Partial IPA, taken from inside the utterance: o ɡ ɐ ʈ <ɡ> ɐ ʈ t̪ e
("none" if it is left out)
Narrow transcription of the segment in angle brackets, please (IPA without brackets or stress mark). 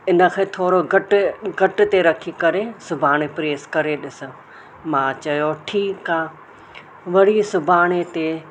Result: ɡ